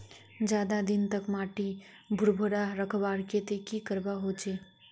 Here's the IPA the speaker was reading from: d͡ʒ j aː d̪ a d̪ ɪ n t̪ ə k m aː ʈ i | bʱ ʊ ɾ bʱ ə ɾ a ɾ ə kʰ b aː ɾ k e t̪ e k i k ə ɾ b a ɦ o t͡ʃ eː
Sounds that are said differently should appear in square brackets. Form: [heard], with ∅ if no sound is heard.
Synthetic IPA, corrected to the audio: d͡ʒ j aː d̪ a d̪ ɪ n t̪ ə k m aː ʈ i | bʱ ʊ ɾ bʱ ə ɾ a ɾ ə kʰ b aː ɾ k e t̪ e k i k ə ɾ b a ɦ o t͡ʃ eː